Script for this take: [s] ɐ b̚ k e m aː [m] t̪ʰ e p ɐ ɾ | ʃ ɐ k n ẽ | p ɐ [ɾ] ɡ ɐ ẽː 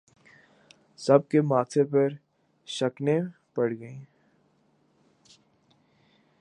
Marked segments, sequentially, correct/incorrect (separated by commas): correct, incorrect, incorrect